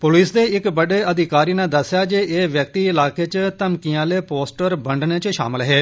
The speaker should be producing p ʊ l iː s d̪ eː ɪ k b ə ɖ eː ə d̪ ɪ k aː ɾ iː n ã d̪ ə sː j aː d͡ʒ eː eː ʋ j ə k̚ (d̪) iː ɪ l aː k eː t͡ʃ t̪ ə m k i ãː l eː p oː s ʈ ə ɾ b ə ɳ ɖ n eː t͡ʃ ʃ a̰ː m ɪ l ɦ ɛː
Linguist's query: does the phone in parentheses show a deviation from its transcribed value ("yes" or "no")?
yes